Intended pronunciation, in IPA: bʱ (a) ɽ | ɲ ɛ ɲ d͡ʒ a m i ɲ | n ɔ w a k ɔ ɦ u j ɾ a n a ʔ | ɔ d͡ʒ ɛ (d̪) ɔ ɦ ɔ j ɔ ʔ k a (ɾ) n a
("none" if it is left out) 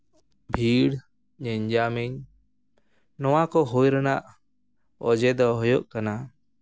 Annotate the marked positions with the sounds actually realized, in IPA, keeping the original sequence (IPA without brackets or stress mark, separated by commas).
i, d̪, none